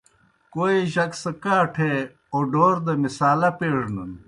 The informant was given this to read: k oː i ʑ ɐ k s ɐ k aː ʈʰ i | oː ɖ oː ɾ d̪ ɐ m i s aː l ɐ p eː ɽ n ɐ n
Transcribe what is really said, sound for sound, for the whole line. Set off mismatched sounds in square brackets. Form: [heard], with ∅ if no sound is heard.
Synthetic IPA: k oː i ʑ ɐ k s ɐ k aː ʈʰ [e] | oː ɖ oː ɾ d̪ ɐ m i s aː l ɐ p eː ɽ n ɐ n